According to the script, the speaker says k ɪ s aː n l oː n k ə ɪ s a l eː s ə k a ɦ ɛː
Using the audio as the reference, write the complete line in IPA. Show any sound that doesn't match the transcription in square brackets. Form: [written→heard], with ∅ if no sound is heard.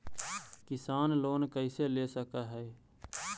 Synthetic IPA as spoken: k ɪ s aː n l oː n k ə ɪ s [a→e] l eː s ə k a ɦ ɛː